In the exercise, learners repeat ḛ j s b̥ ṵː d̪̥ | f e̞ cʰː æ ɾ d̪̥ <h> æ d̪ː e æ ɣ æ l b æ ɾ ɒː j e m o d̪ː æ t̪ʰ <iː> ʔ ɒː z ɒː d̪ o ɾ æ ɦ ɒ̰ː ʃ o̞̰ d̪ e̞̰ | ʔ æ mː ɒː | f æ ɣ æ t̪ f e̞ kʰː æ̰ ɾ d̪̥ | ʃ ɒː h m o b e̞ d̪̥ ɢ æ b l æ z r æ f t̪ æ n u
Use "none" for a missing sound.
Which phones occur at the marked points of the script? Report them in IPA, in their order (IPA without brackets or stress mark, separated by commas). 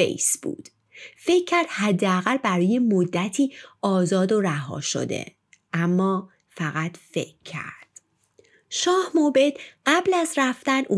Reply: h, iː